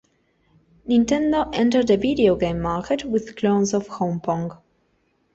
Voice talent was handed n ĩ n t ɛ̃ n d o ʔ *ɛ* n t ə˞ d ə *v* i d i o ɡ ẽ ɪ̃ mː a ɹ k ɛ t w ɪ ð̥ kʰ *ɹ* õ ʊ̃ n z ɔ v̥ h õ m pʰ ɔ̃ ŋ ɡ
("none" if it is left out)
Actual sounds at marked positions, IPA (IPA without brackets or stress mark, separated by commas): ɛ̃, v, l